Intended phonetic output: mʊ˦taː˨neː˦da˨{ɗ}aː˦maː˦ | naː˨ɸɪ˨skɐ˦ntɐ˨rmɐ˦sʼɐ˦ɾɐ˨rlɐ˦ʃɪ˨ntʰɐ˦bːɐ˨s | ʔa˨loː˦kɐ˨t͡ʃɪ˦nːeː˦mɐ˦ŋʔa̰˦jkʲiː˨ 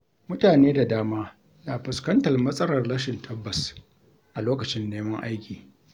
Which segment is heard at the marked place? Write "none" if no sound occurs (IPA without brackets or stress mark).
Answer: d